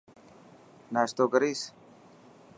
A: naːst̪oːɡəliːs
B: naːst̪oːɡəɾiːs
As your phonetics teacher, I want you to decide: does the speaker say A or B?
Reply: B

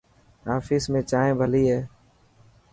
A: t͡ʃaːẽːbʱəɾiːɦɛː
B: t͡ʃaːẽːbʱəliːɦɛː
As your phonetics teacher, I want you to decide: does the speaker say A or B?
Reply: B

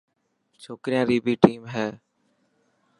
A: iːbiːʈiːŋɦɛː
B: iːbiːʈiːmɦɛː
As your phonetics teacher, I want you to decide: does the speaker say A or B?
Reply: B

